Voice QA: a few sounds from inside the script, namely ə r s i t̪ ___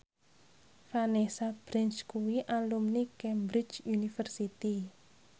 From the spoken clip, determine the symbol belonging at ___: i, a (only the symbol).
i